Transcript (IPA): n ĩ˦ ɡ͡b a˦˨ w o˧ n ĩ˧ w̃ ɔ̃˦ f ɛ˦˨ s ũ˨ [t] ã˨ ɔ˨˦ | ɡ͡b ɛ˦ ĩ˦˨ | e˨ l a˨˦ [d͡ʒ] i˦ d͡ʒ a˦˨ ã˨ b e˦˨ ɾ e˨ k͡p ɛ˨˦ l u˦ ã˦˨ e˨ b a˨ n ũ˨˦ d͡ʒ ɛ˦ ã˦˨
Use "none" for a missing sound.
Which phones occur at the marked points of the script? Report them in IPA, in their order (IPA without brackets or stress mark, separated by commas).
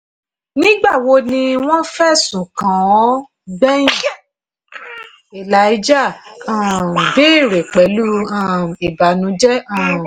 k, none